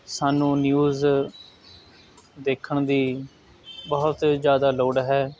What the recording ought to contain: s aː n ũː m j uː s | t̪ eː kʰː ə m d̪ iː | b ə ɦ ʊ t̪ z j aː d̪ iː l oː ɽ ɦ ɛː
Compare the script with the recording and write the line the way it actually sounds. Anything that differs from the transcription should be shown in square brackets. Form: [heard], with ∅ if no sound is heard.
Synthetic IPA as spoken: s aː n ũː [n] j uː [z] | [d̪] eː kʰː ə [ɳ] d̪ iː | b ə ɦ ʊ t̪ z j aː d̪ [aː] l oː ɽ ɦ ɛː